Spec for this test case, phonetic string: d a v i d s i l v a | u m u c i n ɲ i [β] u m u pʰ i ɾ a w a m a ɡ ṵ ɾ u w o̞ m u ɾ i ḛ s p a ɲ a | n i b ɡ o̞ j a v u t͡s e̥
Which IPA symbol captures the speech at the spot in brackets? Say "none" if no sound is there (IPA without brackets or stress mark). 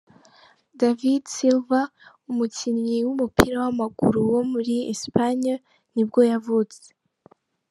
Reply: w